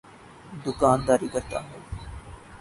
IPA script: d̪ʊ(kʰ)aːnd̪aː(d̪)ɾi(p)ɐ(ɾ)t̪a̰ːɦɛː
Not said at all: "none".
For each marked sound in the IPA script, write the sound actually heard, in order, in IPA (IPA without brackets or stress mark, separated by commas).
k, none, k, ɾ